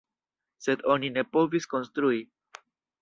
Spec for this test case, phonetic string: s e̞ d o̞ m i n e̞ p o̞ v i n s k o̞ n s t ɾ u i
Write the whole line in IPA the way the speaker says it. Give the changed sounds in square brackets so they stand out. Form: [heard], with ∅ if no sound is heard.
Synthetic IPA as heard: s e̞ d o̞ [n] i n e̞ p o̞ v i [∅] s k o̞ n s t ɾ u i